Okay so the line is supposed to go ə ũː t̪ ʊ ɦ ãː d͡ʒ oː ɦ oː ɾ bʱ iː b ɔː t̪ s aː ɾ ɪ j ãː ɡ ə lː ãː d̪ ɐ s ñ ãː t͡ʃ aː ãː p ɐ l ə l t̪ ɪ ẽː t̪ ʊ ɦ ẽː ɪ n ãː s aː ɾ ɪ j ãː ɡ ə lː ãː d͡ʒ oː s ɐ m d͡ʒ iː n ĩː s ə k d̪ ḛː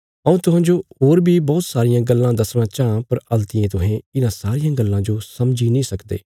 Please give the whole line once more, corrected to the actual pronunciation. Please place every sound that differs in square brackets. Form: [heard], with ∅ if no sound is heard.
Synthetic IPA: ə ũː t̪ ʊ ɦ ãː d͡ʒ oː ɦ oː ɾ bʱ iː b ɔː t̪ s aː ɾ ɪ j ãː ɡ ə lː ãː d̪ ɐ s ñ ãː t͡ʃ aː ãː p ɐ [ɾ] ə l t̪ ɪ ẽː t̪ ʊ ɦ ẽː ɪ n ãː s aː ɾ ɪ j ãː ɡ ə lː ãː d͡ʒ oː s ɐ m d͡ʒ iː n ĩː s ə k d̪ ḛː

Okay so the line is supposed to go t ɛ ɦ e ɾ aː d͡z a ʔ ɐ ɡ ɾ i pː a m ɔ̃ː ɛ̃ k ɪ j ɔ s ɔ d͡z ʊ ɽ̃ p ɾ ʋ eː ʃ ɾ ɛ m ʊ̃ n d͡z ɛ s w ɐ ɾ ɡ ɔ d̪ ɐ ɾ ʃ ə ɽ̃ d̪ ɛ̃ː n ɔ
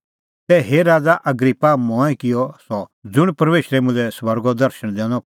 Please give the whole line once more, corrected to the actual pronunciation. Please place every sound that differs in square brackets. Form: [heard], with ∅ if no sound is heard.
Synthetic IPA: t ɛ ɦ e ɾ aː d͡z a ʔ ɐ ɡ ɾ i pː a m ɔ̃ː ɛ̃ k ɪ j ɔ s ɔ d͡z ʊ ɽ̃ p ɾ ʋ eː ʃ ɾ ɛ m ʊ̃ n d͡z ɛ s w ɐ ɾ ɡ ɔ d̪ ɐ ɾ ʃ ə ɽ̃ d̪ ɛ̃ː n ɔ

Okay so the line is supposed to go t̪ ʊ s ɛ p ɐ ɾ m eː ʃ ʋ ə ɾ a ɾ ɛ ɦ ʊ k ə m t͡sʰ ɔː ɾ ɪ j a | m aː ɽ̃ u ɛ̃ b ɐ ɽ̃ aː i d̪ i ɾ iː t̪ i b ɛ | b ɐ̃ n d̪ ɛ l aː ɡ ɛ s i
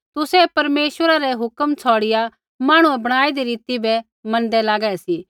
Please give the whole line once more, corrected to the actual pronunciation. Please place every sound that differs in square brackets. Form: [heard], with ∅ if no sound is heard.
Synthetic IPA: t̪ ʊ s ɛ p ɐ ɾ m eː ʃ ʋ ə ɾ a ɾ ɛ ɦ ʊ k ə m t͡sʰ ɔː [ɽ] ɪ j a | m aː ɽ̃ u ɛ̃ b ɐ ɽ̃ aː i d̪ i ɾ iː t̪ i b ɛ | [m] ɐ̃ n d̪ ɛ l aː ɡ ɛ s i

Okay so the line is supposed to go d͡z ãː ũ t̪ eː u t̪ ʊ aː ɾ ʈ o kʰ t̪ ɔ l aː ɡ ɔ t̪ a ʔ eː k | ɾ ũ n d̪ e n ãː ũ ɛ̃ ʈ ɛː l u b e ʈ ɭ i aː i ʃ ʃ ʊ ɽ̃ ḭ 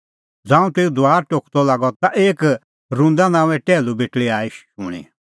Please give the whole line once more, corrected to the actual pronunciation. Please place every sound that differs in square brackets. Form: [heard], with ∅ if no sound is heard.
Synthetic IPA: d͡z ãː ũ t̪ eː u [d̪] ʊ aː ɾ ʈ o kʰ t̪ ɔ l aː ɡ ɔ t̪ a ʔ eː k | ɾ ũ n d̪ [a] n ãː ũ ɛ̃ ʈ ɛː l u b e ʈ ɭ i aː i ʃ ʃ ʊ ɽ̃ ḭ

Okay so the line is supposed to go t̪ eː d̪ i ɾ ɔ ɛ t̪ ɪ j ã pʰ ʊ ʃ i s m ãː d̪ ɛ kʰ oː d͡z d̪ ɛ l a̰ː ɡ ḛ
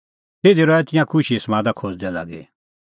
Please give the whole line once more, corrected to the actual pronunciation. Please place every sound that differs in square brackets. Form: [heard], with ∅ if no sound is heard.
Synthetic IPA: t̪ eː d̪ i ɾ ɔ ɛ t̪ ɪ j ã [kʰ] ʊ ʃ i s m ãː d̪ [a] kʰ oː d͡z d̪ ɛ l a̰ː ɡ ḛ

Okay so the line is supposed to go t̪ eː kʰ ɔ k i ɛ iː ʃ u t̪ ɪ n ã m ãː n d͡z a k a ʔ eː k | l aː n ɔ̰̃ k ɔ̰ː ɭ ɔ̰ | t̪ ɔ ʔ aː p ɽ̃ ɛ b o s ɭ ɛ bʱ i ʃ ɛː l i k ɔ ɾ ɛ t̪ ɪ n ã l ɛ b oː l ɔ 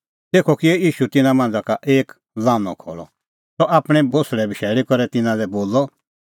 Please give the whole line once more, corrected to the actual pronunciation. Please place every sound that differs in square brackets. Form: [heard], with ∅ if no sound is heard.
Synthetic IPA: t̪ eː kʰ ɔ k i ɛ iː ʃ u t̪ ɪ n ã m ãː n d͡z a k a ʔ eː k | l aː n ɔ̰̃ [kʰ] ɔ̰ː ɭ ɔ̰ | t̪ ɔ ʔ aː p ɽ̃ ɛ b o s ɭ ɛ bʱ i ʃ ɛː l i k ɔ ɾ ɛ t̪ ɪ n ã l ɛ b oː l ɔ

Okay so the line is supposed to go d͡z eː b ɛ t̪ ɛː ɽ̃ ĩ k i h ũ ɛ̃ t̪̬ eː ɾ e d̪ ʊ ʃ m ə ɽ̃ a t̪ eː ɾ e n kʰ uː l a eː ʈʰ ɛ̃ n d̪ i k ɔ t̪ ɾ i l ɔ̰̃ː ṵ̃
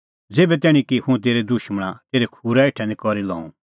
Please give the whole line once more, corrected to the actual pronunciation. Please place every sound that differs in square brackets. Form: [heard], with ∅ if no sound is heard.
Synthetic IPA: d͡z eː b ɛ t̪ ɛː ɽ̃ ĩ k i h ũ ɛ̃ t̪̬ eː ɾ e d̪ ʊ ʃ m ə ɽ̃ a t̪ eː ɾ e [∅] kʰ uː [ɾ] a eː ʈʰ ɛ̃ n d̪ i k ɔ [∅] ɾ i l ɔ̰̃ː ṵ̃

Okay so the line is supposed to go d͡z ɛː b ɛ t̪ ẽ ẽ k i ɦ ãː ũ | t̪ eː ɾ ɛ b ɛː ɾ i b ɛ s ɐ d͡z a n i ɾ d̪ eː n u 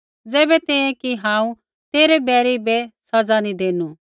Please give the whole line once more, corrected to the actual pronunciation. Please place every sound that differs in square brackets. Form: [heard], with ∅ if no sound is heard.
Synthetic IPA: d͡z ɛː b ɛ t̪ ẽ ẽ k i ɦ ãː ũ | t̪ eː ɾ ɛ b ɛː ɾ i b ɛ s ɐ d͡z a n i [∅] d̪ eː n u

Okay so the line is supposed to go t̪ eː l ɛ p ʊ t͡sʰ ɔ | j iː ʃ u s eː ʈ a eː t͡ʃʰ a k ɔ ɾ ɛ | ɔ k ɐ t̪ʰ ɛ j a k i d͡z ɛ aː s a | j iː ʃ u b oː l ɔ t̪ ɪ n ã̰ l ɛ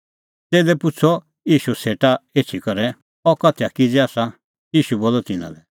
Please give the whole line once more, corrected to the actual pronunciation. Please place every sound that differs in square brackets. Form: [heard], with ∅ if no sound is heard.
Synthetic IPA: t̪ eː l ɛ p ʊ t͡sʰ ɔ | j iː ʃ u s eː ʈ a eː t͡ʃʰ [i] k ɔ ɾ ɛ | ɔ k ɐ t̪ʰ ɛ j a k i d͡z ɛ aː s a | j iː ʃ u b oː l ɔ t̪ ɪ n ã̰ l ɛ

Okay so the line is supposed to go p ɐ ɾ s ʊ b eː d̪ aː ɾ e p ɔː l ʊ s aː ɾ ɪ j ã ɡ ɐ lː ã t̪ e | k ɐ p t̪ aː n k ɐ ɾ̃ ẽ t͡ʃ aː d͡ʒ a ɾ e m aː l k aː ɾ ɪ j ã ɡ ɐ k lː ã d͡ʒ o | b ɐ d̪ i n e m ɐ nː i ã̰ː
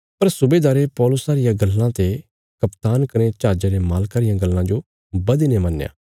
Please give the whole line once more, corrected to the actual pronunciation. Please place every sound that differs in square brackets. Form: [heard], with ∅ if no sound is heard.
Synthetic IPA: p ɐ ɾ s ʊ b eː d̪ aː ɾ e p ɔː l ʊ s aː ɾ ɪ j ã ɡ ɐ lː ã t̪ e | k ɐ p t̪ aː n k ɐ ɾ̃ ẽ t͡ʃ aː d͡ʒ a ɾ e m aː l k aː ɾ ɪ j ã ɡ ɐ [∅] lː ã d͡ʒ o | b ɐ d̪ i n e m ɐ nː [j] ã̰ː

